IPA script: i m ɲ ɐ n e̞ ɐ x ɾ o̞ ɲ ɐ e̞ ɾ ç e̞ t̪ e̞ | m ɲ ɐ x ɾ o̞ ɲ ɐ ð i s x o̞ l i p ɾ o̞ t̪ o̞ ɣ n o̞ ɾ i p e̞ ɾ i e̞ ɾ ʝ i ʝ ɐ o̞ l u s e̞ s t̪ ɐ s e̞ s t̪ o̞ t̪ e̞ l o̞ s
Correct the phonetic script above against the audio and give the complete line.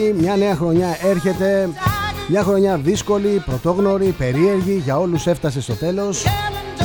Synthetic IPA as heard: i m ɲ ɐ n e̞ ɐ x ɾ o̞ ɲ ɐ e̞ ɾ ç e̞ t̪ e̞ | m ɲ ɐ x ɾ o̞ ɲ ɐ ð i s k o̞ l i p ɾ o̞ t̪ o̞ ɣ n o̞ ɾ i p e̞ ɾ i e̞ ɾ ʝ i ʝ ɐ o̞ l u s e̞ f t̪ ɐ s e̞ s t̪ o̞ t̪ e̞ l o̞ s